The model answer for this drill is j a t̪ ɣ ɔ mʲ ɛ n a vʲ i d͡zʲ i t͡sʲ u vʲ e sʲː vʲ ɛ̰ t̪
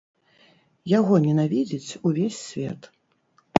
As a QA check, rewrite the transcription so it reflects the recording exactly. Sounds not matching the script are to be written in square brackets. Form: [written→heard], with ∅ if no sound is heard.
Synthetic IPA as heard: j a [t̪→∅] ɣ ɔ [mʲ→nʲ] ɛ n a vʲ i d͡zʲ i t͡sʲ u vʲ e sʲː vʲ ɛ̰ t̪